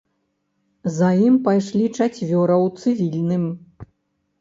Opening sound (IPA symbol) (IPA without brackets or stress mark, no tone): z